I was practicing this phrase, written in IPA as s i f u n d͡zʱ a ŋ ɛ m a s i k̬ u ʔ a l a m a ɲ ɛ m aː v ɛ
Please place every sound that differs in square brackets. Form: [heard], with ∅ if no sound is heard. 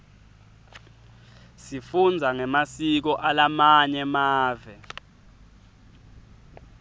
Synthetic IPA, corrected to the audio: s i f u n d͡zʱ a ŋ ɛ m a s i k̬ [ɔ] ʔ a l a m a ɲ ɛ m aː v ɛ